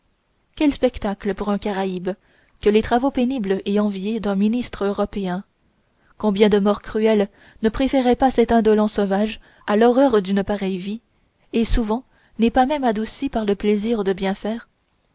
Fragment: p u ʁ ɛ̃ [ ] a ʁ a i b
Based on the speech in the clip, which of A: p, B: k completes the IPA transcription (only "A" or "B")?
B